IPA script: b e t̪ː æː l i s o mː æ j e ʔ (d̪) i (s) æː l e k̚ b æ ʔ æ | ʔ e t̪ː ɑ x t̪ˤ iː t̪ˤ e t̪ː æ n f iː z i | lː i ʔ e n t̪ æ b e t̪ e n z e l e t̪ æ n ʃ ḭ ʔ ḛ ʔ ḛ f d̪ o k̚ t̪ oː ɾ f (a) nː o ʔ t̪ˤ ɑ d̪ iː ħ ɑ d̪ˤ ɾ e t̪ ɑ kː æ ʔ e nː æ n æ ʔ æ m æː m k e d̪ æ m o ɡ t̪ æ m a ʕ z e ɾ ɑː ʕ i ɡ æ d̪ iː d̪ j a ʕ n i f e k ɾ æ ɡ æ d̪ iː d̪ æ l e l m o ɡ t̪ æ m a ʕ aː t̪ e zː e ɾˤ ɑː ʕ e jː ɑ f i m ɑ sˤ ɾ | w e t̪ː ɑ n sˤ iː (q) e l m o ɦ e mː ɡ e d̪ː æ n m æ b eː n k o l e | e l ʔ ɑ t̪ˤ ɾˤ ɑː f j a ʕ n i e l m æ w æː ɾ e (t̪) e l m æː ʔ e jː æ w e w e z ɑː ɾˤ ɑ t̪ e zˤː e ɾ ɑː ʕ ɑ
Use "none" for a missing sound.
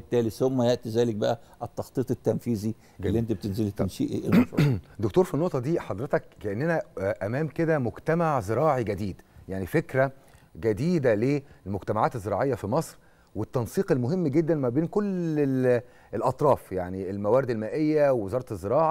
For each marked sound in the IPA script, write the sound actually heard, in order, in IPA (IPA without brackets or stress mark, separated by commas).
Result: t̪, z, i, q, d̪